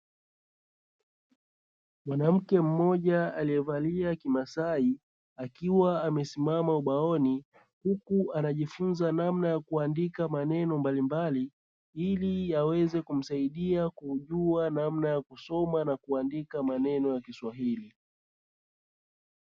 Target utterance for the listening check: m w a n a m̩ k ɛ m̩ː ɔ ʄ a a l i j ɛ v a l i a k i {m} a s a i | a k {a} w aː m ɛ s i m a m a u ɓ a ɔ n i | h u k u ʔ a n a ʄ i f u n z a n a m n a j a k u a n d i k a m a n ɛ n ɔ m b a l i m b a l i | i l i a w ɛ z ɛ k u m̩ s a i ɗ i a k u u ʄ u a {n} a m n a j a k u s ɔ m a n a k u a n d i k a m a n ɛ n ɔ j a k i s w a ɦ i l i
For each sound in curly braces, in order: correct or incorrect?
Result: correct, incorrect: i, correct

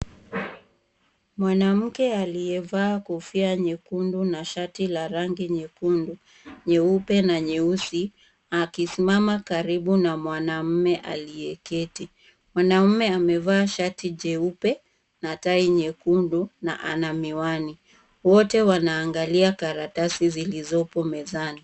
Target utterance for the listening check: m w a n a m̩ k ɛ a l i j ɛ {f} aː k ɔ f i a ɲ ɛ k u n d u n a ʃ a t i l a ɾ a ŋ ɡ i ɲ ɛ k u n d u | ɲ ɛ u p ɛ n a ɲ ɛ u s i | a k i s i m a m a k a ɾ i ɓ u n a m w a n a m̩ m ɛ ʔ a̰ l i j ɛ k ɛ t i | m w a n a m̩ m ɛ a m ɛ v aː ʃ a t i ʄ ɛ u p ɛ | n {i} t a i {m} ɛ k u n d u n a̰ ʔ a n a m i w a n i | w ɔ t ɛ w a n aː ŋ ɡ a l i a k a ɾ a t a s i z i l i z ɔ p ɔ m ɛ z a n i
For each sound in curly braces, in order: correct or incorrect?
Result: incorrect: v, incorrect: a, incorrect: ɲ

